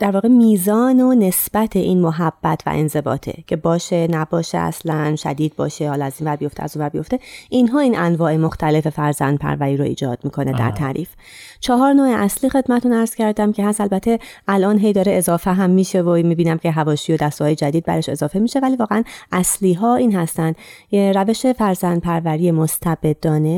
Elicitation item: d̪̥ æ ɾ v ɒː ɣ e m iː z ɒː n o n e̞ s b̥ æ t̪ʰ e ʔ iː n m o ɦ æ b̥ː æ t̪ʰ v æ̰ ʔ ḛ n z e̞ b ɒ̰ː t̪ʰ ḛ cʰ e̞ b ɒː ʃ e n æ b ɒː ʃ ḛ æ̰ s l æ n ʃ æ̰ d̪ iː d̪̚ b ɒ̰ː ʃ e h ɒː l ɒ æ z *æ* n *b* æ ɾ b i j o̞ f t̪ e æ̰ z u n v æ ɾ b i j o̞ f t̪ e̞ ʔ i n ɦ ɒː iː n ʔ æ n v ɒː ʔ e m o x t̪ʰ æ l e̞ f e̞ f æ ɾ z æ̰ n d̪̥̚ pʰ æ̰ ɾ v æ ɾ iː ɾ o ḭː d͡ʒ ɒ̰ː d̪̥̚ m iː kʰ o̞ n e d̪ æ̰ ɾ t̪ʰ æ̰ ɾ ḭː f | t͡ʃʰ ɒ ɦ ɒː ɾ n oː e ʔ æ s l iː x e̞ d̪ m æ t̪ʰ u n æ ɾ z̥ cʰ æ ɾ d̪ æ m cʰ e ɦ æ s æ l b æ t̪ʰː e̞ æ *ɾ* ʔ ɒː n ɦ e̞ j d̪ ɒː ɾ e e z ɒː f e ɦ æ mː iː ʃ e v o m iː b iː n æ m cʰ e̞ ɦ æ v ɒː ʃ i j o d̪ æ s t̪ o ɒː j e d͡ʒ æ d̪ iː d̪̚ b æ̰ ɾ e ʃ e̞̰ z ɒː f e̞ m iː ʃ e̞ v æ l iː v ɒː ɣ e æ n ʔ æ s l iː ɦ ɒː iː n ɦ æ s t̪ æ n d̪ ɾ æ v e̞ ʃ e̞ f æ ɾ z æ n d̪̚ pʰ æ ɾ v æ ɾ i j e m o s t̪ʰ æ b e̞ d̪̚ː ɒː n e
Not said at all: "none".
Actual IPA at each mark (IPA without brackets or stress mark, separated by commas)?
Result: i, v, l